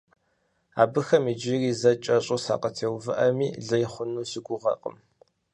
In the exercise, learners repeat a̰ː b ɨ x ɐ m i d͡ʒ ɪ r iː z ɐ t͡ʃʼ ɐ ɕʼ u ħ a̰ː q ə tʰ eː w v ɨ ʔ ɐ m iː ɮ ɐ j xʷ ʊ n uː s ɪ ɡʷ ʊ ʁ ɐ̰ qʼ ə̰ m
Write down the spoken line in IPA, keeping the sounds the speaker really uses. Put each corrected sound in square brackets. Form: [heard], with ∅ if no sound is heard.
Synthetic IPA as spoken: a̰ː b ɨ x ɐ m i d͡ʒ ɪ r iː z ɐ t͡ʃʼ ɐ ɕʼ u [s] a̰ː q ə tʰ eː w v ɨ ʔ ɐ m iː ɮ ɐ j [χʷ] ʊ n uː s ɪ ɡʷ ʊ ʁ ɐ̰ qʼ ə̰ m